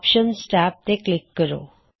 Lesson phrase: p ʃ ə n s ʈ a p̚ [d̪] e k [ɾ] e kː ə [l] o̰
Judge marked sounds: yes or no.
no, no, no

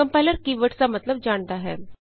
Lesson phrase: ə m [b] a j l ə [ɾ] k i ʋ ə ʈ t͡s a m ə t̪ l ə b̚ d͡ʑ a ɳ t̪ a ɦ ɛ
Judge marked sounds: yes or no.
no, yes

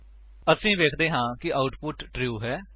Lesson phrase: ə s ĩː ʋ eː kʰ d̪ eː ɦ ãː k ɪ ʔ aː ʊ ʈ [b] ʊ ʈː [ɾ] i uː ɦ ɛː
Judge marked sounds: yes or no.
no, yes

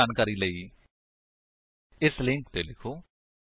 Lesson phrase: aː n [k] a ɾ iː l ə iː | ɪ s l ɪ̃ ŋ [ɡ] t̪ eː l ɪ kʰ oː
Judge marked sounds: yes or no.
yes, no

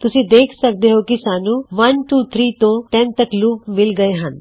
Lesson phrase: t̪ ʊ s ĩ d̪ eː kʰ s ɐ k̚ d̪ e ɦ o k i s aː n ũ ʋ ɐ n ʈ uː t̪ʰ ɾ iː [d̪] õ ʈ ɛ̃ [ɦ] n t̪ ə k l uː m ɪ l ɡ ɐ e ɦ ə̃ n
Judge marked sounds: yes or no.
no, no

